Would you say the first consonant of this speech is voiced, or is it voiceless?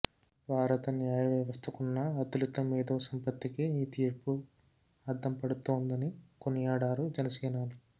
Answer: voiced